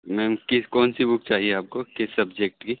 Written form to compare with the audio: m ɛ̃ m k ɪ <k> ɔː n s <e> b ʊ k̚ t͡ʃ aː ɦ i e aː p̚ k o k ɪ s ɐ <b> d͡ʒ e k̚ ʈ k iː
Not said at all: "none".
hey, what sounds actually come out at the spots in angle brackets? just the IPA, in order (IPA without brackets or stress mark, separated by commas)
k, i, b